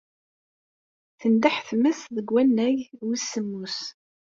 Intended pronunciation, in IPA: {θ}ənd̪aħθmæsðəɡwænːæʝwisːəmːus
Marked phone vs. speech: correct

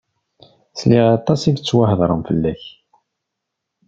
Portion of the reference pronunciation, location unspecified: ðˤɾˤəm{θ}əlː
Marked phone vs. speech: incorrect: f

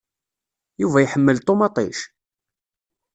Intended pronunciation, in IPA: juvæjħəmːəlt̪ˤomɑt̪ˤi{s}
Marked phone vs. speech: incorrect: ʃ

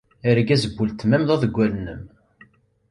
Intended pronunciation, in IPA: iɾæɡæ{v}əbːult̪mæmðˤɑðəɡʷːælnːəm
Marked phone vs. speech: incorrect: z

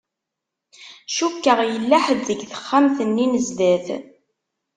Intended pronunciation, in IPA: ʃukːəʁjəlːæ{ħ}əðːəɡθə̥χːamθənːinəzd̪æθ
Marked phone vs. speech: correct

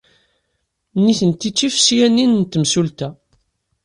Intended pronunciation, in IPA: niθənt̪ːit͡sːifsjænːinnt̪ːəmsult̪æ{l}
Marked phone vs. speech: incorrect: none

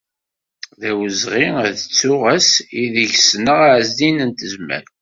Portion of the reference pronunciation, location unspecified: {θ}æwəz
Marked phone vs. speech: incorrect: ð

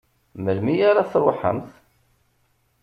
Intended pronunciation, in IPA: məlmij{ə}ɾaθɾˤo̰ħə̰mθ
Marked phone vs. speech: incorrect: a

